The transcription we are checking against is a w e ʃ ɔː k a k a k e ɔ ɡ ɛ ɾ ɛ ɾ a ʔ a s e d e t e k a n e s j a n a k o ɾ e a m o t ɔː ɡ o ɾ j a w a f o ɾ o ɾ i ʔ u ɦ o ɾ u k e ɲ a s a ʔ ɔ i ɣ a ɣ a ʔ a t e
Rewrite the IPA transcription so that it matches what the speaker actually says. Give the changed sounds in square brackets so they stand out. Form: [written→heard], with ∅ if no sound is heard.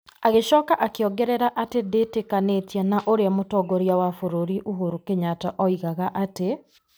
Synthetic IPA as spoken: a [w→ɣ] e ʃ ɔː k a [k→ʔ] a k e ɔ ɡ ɛ ɾ ɛ ɾ a ʔ a [s→t] e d e t e k a n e [s→t] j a n a [k→ʔ] o ɾ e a m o t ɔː ɡ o ɾ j a w a f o ɾ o ɾ i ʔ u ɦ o ɾ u k e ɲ a [s→t] a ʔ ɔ i ɣ a ɣ a ʔ a t e

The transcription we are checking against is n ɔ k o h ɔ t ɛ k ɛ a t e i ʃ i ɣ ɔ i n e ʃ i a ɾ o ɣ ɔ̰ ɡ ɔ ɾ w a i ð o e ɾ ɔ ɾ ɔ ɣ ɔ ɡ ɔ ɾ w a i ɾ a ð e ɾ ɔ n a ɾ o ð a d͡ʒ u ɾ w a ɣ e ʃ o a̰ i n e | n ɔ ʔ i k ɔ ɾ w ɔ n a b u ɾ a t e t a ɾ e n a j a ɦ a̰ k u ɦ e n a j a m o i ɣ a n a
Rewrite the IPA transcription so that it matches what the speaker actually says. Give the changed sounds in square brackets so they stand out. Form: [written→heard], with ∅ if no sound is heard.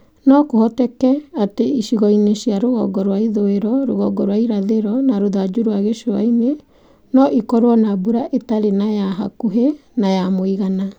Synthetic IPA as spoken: n ɔ k o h ɔ t ɛ k ɛ a t e i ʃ i ɣ ɔ i n e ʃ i a ɾ o ɣ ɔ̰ ɡ ɔ ɾ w a i ð o e ɾ ɔ ɾ [ɔ→o] ɣ ɔ ɡ ɔ ɾ w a i ɾ a ð e ɾ ɔ n a ɾ o ð a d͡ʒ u ɾ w a ɣ e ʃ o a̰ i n e | n ɔ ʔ i k ɔ ɾ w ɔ n a b u ɾ a [t→ʔ] e t a ɾ e n a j a ɦ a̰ k u ɦ e n a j a m o i ɣ a n a

